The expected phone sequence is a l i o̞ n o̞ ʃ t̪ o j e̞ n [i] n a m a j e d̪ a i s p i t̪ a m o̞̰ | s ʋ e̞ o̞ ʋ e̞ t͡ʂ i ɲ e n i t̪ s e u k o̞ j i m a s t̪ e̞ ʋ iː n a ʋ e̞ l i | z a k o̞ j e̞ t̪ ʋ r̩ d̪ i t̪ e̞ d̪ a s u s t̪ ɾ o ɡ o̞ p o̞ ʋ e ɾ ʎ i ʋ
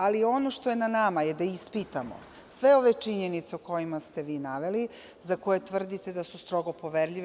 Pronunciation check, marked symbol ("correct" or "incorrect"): incorrect